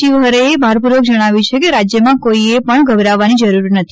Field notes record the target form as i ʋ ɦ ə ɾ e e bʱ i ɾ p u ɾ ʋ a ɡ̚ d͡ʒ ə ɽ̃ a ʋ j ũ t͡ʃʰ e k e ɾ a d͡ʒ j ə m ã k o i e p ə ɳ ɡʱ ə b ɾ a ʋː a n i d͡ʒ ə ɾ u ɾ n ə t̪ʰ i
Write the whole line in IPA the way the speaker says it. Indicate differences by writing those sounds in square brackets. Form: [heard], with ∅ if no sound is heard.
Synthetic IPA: i ʋ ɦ ə ɾ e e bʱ [a] ɾ p u ɾ ʋ [ə] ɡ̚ d͡ʒ ə ɽ̃ a ʋ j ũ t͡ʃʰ e k e ɾ a d͡ʒ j ə m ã k o i e p ə ɳ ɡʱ ə b ɾ a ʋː a n i d͡ʒ ə ɾ u ɾ n ə t̪ʰ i

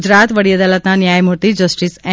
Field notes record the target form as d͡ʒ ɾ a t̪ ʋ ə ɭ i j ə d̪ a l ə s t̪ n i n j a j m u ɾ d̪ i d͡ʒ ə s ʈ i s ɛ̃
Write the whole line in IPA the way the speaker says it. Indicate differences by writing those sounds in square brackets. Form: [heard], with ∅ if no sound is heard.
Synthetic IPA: d͡ʒ ɾ a t̪ ʋ ə [ɽ] i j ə d̪ a l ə [∅] t̪ n [a] n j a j m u ɾ [t̪] i d͡ʒ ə s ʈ i s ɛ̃

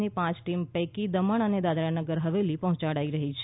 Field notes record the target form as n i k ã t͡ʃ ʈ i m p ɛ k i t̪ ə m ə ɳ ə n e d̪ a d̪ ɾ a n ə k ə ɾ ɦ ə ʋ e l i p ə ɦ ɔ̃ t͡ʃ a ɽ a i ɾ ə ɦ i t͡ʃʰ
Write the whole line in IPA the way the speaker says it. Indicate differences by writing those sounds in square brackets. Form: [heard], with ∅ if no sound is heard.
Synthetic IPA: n i [p] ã t͡ʃ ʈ i m p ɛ k i [d̪] ə m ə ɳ ə n e d̪ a d̪ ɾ a n ə [ɡ] ə ɾ ɦ ə ʋ e l i p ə ɦ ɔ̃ t͡ʃ a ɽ a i ɾ ə ɦ i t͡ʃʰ

